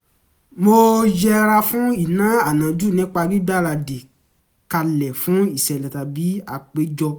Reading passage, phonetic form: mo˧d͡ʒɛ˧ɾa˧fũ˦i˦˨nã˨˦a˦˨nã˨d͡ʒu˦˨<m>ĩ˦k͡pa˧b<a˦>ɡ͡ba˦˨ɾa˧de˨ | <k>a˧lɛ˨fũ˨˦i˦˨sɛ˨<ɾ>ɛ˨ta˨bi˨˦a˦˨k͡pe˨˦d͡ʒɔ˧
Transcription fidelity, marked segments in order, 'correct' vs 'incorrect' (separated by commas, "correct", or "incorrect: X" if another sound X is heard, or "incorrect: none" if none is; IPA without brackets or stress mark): incorrect: n, incorrect: i˦, correct, incorrect: l